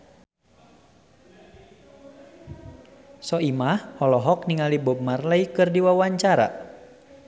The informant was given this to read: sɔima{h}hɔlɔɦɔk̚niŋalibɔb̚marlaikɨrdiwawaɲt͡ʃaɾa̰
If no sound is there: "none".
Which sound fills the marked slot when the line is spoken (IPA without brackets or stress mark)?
h